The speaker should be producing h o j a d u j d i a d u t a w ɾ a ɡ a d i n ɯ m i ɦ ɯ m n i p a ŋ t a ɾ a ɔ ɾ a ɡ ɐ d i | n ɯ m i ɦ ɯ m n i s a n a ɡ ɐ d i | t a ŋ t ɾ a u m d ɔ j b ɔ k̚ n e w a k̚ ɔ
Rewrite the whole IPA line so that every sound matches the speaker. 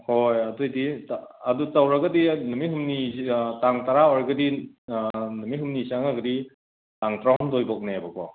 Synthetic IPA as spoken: h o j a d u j d i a d u t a w ɾ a ɡ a d i n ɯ m i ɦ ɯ m n i t a ŋ t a ɾ a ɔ ɾ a ɡ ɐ d i | n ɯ m i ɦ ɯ m n i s a ŋ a ɡ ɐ d i | t a ŋ t ɾ a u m d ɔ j b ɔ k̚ n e b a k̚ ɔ